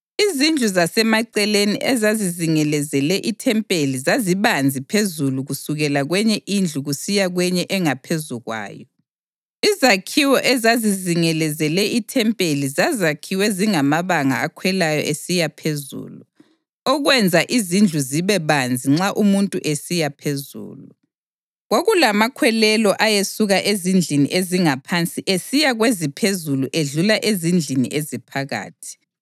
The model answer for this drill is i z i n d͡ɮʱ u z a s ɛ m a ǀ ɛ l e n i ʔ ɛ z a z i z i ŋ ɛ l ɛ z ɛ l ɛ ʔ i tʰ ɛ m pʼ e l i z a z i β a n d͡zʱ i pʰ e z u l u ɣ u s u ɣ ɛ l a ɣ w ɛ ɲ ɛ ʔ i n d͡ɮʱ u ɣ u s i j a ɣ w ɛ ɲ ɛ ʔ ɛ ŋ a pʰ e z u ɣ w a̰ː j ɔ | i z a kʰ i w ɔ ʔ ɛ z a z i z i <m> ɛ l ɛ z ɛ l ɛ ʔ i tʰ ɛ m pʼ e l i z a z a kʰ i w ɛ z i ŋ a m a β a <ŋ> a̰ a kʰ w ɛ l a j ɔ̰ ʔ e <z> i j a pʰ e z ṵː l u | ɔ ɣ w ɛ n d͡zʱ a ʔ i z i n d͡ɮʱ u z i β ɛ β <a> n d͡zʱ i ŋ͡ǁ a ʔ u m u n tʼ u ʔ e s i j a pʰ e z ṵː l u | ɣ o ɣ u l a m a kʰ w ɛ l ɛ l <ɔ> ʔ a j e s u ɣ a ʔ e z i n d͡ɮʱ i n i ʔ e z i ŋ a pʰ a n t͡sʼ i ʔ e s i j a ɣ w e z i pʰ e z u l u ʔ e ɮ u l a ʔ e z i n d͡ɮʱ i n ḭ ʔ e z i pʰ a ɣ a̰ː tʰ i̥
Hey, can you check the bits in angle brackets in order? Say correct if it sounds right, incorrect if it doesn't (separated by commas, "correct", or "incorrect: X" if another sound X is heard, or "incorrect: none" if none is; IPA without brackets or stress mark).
incorrect: ŋ, correct, incorrect: s, correct, correct